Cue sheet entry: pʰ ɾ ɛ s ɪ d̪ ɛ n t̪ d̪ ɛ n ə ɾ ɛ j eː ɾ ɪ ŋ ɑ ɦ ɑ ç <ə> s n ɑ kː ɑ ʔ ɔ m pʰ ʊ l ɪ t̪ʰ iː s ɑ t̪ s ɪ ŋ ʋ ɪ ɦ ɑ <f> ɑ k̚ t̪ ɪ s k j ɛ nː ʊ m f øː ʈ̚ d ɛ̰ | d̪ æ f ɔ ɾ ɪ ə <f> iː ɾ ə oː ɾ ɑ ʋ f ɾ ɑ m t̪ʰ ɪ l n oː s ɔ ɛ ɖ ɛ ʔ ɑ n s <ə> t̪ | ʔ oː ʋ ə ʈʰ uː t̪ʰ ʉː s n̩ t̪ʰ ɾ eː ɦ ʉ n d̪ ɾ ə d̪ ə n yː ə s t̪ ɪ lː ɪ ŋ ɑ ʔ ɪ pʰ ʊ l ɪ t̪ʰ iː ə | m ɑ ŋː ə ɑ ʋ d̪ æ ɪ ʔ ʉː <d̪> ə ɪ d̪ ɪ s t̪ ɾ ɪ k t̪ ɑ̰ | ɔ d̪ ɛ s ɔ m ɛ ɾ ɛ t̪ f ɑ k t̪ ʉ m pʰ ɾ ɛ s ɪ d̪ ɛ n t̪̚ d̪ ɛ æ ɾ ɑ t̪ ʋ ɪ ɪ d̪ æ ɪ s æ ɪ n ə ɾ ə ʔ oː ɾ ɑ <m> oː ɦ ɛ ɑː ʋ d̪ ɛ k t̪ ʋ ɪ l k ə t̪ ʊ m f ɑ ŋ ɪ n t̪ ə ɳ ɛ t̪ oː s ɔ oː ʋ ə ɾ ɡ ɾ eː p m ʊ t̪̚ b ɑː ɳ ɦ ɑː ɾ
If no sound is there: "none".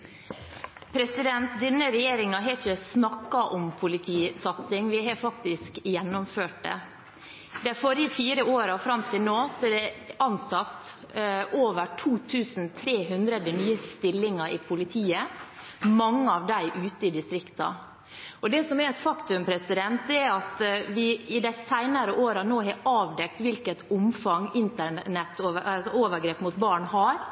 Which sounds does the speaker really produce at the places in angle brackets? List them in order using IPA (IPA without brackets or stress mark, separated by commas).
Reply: ə, f, f, ɑ, t̪, n